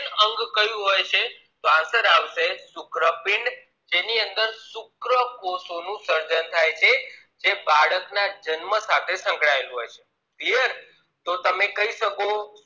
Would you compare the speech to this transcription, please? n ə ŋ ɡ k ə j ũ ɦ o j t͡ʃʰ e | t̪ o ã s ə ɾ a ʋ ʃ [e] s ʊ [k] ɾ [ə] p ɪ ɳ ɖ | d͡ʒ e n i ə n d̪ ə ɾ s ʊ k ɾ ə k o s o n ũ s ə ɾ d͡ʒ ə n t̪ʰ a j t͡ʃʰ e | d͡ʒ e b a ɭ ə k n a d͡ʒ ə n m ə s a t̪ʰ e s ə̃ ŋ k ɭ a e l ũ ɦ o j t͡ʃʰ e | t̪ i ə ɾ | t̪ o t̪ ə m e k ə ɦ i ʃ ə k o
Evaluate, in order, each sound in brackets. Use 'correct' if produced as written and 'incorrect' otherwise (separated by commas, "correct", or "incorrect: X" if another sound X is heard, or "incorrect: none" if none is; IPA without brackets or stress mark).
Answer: correct, correct, correct